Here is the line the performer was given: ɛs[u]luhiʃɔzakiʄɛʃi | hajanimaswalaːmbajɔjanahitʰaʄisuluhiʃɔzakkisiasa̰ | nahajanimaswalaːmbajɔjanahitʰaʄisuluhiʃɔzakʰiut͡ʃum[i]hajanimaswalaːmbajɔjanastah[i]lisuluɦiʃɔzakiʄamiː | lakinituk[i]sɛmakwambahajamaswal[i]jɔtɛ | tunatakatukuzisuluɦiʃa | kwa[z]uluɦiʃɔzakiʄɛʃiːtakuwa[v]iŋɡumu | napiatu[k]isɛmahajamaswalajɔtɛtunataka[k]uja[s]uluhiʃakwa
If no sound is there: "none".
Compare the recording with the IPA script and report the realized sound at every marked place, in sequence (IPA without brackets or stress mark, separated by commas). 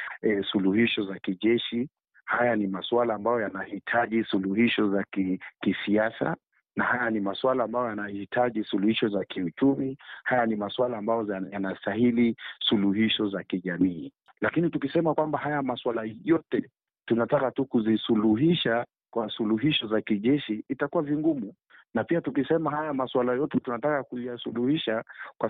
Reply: u, i, i, i, a, s, v, k, k, s